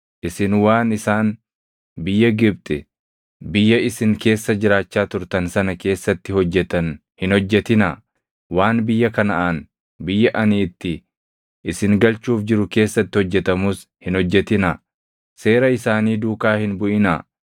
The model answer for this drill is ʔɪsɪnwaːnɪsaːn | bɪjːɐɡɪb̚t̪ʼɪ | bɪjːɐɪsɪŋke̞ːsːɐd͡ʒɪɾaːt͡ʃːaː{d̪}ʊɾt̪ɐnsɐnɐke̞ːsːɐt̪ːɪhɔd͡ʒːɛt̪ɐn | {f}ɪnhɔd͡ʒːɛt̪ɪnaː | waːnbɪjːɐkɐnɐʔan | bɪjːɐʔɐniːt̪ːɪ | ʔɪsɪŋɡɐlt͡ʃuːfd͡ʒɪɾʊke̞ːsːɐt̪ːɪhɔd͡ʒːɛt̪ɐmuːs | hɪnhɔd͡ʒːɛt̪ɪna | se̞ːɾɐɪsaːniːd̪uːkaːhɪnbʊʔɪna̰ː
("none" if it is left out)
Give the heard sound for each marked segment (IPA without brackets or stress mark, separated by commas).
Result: t̪, h